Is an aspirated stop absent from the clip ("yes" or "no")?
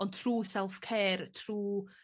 no